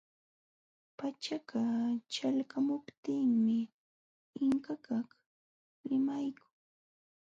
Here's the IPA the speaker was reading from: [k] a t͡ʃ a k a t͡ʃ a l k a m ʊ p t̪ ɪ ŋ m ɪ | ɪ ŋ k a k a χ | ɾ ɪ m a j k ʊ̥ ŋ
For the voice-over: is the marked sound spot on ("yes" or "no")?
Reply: no